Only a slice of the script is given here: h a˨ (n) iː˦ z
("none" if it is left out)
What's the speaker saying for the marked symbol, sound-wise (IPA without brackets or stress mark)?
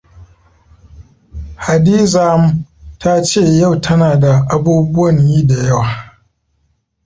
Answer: d